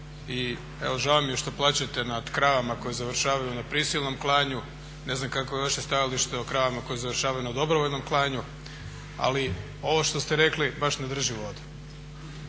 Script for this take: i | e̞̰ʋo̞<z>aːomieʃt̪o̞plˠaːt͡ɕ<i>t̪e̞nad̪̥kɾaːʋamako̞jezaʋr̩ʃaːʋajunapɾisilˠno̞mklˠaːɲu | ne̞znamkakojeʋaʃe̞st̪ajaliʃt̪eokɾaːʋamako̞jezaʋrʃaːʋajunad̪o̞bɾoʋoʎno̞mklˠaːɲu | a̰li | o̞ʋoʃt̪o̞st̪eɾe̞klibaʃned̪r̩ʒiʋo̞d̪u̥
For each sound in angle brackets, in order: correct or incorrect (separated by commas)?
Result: incorrect, incorrect